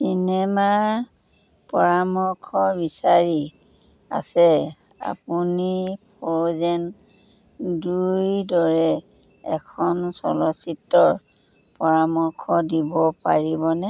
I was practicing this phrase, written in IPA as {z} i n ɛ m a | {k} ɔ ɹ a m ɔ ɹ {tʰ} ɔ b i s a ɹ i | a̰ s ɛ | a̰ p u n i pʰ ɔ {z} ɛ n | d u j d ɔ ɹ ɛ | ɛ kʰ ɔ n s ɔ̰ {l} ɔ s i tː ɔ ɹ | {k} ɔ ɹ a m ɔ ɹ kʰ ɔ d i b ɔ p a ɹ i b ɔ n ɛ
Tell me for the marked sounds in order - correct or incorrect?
incorrect, incorrect, incorrect, correct, correct, incorrect

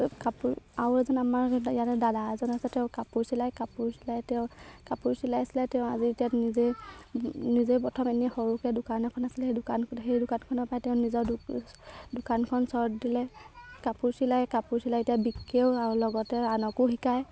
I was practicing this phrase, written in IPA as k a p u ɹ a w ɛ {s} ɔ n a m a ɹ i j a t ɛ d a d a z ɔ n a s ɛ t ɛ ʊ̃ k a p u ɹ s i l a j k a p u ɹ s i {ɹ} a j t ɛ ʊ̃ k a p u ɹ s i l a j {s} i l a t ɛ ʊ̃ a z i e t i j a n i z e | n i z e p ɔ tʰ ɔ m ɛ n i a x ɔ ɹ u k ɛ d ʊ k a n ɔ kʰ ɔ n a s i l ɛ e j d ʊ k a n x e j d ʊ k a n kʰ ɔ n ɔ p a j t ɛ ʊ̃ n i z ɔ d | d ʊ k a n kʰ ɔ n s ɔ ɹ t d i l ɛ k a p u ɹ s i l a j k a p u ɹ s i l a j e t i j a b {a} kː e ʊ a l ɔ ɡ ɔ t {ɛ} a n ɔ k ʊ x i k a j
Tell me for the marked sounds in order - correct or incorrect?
incorrect, incorrect, correct, incorrect, correct

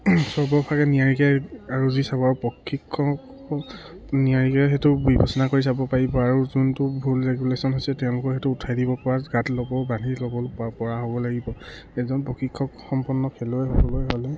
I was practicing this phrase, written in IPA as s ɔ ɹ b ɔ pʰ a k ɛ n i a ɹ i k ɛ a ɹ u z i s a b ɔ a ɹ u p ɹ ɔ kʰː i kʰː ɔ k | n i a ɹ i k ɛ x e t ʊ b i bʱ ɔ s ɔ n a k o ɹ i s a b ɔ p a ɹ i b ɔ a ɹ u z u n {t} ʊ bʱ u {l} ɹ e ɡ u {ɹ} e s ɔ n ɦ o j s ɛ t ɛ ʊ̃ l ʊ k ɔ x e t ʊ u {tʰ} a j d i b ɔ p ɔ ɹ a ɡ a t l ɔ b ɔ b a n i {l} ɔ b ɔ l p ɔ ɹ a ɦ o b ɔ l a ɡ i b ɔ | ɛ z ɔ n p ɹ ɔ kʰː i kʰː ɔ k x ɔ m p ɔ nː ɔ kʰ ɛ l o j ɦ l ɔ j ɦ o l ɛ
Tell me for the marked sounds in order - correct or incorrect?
correct, correct, incorrect, correct, correct

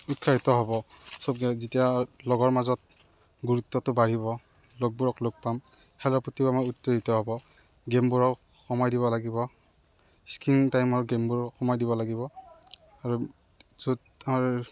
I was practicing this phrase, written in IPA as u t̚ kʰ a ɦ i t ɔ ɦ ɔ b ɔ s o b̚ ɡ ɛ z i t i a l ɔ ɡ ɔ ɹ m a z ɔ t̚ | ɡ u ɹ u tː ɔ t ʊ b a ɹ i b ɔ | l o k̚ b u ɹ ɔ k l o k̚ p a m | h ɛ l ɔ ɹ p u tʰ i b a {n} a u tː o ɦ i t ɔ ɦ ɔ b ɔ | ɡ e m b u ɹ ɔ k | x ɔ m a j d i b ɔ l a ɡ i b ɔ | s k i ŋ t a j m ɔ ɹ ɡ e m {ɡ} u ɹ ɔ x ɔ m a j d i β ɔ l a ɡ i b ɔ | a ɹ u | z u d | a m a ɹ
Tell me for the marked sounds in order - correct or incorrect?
incorrect, incorrect

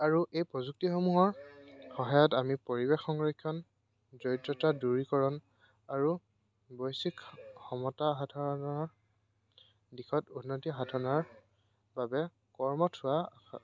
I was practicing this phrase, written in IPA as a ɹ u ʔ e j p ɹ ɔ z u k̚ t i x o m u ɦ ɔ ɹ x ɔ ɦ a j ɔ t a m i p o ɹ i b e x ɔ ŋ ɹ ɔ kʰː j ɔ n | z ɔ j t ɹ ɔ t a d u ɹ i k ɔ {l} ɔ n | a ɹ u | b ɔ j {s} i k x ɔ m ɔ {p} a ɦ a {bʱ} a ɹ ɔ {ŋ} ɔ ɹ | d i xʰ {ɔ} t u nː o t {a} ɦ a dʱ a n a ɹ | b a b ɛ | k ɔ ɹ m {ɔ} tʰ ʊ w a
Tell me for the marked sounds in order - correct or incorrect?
incorrect, correct, incorrect, incorrect, incorrect, correct, incorrect, correct

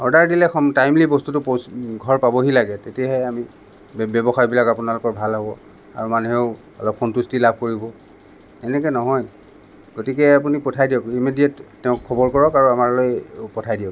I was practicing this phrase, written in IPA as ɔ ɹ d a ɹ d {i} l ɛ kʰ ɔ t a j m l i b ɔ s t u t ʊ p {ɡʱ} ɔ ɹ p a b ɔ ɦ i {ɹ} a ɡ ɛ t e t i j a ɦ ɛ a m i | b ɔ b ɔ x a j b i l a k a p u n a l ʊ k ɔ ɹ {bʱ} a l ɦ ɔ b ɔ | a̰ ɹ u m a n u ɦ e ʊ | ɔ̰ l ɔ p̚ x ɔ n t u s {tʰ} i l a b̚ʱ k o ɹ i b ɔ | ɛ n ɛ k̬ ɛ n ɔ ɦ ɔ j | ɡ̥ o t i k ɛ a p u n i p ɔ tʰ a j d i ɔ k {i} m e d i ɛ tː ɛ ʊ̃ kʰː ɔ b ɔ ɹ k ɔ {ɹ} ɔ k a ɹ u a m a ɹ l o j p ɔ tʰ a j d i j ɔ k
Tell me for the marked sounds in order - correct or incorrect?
correct, correct, incorrect, correct, incorrect, correct, correct

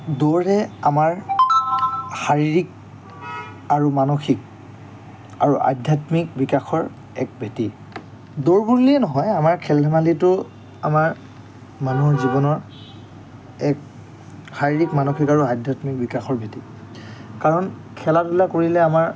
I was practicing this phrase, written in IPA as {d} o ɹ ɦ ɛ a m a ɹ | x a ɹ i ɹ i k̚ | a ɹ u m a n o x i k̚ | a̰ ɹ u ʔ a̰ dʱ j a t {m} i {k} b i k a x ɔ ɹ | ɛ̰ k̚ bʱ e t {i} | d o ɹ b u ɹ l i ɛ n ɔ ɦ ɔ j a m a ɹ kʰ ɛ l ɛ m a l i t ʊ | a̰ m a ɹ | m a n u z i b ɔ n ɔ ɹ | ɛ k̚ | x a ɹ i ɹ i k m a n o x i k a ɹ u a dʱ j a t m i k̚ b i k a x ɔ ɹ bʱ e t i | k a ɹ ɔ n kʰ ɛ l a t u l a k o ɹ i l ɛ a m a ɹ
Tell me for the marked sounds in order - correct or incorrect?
correct, correct, correct, correct

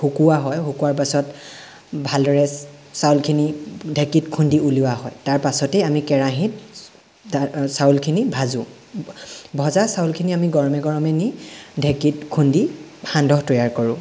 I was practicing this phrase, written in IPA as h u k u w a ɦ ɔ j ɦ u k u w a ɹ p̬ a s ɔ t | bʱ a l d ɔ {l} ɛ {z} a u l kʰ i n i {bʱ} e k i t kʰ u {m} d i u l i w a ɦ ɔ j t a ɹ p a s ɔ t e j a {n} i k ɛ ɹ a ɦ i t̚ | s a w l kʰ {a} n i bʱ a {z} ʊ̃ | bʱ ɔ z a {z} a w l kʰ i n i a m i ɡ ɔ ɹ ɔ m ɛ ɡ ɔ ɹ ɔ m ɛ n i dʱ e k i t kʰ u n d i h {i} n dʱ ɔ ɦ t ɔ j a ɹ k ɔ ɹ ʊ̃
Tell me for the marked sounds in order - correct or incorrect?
incorrect, incorrect, incorrect, incorrect, incorrect, incorrect, correct, incorrect, incorrect

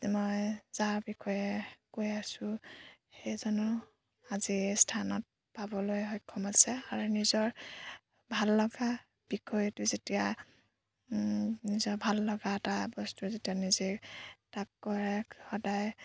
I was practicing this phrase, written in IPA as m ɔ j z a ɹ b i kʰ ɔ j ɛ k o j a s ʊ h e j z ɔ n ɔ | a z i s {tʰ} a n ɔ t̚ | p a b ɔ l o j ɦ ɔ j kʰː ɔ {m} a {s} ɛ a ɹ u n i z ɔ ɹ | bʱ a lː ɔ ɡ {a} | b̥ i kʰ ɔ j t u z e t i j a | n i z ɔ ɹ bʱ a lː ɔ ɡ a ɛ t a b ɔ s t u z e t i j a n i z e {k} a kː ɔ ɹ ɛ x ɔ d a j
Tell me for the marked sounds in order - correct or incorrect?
correct, correct, correct, correct, incorrect

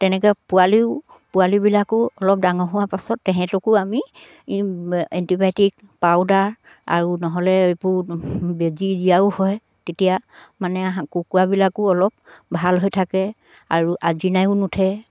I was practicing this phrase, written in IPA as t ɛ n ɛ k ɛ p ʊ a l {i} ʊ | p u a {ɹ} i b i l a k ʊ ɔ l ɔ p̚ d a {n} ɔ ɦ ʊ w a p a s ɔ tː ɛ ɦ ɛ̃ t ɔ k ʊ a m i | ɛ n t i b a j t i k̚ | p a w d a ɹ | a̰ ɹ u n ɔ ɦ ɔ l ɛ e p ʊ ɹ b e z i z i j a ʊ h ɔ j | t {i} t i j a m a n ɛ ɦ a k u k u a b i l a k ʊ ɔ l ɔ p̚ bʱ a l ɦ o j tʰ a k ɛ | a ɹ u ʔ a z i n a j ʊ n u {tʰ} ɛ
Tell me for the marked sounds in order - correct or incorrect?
correct, incorrect, incorrect, incorrect, correct

